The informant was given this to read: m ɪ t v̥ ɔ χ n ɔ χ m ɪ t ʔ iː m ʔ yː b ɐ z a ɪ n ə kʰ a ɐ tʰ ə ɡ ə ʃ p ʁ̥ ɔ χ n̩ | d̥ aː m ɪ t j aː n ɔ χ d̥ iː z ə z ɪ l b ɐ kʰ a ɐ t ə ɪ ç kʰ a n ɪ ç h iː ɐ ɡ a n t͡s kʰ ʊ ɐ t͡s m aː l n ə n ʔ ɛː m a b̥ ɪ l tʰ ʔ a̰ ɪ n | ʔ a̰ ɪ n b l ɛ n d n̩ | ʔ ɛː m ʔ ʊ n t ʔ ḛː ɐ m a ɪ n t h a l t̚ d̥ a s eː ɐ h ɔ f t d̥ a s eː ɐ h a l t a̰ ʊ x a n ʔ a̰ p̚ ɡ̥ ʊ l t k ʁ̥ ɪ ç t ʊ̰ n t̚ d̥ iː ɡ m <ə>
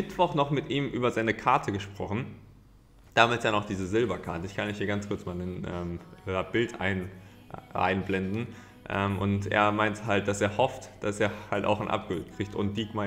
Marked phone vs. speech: incorrect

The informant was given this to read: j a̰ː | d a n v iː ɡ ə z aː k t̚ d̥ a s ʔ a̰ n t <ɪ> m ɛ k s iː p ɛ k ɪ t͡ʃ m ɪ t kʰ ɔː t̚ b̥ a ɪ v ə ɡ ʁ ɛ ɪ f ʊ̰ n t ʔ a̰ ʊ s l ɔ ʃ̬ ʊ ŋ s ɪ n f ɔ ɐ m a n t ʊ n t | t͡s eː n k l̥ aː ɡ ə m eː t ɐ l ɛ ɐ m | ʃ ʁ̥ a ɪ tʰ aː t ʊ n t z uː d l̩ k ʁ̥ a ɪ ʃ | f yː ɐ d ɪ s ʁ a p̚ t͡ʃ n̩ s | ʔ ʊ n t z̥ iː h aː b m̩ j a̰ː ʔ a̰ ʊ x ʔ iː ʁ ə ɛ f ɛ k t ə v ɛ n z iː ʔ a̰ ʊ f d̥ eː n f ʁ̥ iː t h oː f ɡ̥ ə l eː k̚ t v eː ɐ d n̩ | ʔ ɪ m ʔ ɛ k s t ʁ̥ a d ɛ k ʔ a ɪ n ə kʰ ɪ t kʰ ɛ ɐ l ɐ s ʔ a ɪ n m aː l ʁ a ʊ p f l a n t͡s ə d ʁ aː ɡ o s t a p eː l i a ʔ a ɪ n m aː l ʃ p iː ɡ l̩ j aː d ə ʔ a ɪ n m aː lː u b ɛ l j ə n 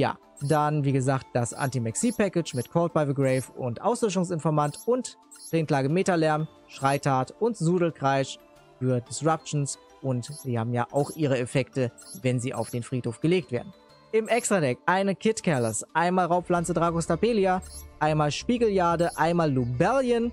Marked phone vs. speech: incorrect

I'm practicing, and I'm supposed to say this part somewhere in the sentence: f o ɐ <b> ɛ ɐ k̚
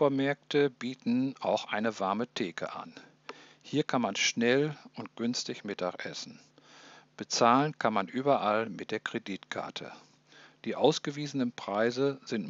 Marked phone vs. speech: incorrect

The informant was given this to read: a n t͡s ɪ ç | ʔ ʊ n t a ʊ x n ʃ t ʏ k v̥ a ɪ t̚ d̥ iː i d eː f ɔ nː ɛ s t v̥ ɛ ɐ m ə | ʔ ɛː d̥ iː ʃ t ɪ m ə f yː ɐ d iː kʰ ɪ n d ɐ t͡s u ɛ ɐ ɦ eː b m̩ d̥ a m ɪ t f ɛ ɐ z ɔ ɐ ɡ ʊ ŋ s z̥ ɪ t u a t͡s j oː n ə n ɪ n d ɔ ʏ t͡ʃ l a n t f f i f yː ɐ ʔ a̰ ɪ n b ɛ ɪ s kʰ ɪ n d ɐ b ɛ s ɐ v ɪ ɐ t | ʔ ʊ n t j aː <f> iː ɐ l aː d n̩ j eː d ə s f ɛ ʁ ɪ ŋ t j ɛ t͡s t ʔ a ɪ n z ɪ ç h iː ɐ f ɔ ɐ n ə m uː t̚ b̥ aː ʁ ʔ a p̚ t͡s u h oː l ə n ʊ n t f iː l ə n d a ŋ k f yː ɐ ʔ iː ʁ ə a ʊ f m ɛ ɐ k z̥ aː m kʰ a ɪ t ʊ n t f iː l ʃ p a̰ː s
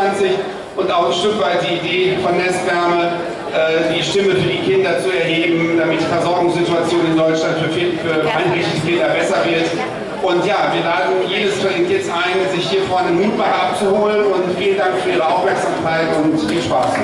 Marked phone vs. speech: incorrect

